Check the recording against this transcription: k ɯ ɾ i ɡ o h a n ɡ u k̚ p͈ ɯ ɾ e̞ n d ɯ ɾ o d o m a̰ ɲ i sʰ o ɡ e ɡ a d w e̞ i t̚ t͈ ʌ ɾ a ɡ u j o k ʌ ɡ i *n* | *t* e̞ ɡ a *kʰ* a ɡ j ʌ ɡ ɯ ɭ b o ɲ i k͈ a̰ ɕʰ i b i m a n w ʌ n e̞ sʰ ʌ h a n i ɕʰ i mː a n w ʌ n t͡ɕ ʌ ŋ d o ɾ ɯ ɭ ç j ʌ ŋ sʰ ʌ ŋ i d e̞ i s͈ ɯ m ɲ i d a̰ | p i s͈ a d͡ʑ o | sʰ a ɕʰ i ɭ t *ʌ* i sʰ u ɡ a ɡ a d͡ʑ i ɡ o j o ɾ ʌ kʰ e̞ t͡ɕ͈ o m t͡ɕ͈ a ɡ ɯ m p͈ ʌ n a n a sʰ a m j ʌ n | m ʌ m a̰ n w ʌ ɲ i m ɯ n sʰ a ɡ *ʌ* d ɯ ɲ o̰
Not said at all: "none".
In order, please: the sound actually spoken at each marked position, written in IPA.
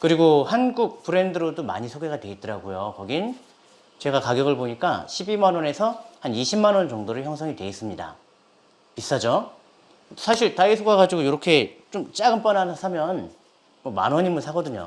n, t͡ɕ, k, a, ʌ

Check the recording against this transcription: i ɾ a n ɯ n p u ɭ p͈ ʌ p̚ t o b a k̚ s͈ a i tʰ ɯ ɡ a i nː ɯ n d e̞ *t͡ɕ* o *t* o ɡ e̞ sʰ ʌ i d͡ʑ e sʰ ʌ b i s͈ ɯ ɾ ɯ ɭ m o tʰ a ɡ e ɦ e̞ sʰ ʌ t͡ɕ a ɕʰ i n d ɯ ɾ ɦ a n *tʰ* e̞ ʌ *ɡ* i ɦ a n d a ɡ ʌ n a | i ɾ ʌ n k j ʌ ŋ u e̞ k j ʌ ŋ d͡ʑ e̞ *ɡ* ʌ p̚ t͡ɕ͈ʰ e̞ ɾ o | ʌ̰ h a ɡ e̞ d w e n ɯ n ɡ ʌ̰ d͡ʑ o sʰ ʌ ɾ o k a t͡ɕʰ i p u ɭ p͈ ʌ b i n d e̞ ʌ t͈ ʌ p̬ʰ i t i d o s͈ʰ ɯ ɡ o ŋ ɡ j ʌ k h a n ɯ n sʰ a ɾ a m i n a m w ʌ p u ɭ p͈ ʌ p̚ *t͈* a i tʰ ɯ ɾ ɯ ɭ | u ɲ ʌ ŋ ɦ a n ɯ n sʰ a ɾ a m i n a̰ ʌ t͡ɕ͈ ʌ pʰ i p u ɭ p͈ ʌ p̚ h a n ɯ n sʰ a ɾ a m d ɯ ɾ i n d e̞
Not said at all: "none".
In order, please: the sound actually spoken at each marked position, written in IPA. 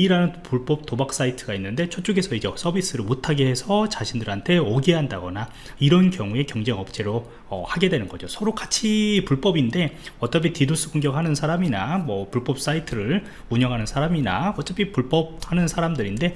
t͡ɕʰ, t͡ɕ͈, tʰ, ɡ, ŋ, s͈

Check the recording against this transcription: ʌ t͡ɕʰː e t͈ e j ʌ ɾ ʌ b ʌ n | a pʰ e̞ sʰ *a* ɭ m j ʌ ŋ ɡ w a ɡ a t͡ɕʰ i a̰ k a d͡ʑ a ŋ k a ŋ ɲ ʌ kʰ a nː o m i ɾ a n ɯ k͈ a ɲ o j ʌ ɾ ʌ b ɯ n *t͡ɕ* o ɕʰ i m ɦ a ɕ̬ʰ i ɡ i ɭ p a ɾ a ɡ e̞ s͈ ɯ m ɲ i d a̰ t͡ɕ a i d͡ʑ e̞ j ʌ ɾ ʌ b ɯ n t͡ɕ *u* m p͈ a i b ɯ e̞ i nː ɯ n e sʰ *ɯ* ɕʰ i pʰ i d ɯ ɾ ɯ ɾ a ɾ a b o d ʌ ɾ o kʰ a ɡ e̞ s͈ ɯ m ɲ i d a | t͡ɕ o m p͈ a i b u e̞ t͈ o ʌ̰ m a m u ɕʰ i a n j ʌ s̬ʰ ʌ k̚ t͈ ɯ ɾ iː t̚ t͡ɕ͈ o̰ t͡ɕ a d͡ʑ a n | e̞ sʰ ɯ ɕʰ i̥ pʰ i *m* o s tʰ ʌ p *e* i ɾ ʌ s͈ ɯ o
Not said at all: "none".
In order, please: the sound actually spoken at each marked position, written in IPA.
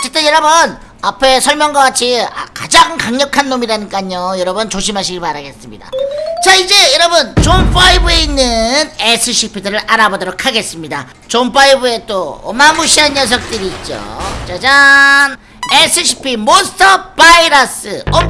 ʌ, t͡ɕ, o, ɯ, m, a

